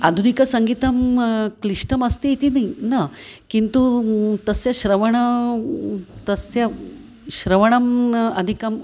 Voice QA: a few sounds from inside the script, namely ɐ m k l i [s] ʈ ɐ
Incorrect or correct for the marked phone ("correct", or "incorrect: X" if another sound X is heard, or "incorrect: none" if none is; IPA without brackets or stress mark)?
incorrect: ʂ